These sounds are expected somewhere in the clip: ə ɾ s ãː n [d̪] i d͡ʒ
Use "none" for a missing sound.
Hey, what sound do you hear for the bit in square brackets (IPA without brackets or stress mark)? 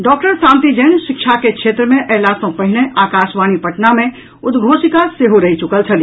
t̪